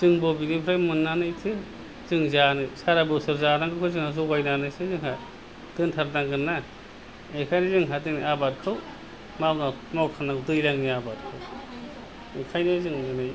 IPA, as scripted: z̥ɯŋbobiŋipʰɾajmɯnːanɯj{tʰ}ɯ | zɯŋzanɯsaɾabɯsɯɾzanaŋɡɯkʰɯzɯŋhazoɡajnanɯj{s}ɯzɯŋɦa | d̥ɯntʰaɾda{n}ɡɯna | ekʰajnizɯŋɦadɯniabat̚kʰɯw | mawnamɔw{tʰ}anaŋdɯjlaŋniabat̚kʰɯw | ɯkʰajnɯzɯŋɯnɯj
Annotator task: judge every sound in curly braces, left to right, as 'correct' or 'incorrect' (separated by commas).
correct, correct, incorrect, incorrect